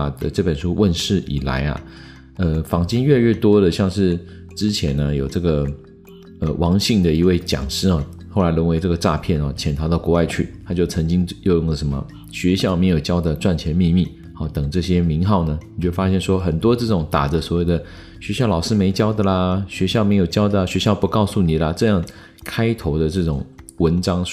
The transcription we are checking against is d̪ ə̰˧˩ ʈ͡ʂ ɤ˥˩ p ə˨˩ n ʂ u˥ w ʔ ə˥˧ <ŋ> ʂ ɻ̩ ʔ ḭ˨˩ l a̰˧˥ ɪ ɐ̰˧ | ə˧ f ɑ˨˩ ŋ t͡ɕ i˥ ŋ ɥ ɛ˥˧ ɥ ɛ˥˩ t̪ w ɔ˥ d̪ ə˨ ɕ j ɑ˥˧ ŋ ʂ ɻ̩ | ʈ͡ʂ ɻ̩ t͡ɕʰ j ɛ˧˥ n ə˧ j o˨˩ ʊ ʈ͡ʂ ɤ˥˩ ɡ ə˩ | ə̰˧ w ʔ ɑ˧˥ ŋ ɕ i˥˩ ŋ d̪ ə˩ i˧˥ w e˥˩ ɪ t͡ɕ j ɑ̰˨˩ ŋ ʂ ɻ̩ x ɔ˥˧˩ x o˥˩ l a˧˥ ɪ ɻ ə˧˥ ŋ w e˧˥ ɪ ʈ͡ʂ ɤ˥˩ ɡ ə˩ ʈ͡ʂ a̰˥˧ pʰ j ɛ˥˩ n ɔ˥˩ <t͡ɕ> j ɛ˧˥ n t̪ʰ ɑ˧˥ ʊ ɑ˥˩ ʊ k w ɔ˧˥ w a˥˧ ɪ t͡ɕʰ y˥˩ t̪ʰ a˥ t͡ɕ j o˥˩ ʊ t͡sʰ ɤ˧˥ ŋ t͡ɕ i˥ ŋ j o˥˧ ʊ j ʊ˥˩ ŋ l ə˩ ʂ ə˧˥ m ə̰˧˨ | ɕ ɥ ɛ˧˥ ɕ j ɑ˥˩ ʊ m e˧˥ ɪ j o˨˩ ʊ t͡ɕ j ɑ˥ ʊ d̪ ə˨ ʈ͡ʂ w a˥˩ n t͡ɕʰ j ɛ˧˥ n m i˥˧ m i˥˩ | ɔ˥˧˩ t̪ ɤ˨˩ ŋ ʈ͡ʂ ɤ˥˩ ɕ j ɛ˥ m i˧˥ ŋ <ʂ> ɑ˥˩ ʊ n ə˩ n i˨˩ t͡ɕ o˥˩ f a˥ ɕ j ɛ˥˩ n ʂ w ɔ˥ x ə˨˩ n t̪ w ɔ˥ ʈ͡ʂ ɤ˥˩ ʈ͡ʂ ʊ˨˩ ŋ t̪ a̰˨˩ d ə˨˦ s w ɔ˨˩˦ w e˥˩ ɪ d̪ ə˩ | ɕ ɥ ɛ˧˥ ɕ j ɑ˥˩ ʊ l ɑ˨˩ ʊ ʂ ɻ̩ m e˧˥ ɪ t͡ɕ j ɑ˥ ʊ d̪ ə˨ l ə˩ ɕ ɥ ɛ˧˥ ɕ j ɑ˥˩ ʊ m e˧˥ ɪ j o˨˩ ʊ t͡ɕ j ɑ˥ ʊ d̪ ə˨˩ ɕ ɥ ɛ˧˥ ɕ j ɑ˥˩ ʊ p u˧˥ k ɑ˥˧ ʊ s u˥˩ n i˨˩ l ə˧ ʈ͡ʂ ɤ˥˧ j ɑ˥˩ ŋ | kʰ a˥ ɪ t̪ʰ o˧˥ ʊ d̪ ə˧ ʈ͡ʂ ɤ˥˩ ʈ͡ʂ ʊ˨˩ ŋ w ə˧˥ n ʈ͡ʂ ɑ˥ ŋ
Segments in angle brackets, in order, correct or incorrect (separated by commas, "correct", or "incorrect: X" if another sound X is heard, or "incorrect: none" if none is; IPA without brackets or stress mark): incorrect: n, incorrect: t͡ɕʰ, incorrect: x